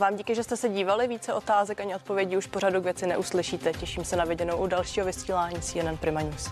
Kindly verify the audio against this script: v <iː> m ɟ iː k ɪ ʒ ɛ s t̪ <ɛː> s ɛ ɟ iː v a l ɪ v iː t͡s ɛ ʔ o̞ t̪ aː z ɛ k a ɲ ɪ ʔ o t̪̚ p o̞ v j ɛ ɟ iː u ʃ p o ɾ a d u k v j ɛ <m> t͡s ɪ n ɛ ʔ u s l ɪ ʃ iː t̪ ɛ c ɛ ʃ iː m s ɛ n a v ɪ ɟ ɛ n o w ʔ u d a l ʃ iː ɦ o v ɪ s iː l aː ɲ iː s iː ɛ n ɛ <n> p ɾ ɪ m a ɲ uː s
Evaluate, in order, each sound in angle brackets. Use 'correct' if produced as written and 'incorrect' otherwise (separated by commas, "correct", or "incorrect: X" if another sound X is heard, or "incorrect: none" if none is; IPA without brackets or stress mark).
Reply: incorrect: aː, incorrect: ɛ, incorrect: none, correct